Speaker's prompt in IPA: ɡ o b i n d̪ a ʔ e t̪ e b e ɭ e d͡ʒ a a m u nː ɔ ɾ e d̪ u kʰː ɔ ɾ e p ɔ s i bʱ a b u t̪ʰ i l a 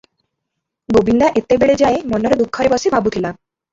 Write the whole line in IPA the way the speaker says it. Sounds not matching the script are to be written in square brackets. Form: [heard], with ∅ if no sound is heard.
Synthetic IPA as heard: ɡ o b i n d̪ a ʔ e t̪ e b e ɭ e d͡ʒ a [e] m [ɔ] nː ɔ ɾ e d̪ u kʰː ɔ ɾ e [b] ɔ s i bʱ a b u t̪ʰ i l a